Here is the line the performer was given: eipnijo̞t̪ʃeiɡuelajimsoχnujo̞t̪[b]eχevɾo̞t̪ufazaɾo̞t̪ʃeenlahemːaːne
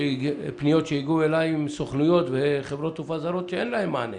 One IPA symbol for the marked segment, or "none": v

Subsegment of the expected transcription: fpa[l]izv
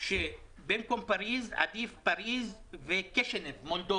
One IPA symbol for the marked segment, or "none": ɾ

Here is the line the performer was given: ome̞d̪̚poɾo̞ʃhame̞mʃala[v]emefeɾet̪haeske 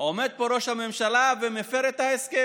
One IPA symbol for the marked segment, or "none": v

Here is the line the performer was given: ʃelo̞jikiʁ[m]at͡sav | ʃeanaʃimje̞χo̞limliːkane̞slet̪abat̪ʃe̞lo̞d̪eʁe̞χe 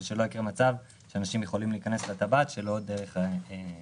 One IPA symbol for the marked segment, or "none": m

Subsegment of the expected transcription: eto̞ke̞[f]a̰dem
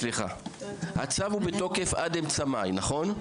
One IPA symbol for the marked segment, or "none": f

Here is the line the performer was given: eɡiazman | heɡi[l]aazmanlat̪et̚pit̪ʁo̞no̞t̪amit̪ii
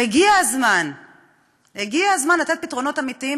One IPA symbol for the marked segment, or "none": none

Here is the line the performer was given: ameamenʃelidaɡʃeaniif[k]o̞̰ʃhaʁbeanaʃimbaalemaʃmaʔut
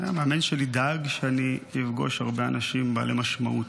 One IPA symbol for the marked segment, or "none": ɡ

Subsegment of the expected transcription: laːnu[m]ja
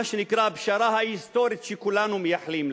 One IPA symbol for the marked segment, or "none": m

